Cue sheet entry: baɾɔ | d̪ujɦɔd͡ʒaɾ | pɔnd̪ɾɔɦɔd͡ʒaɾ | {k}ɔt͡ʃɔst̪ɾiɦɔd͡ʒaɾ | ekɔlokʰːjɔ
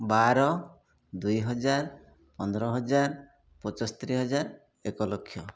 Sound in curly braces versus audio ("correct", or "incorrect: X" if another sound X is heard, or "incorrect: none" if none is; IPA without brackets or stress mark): incorrect: p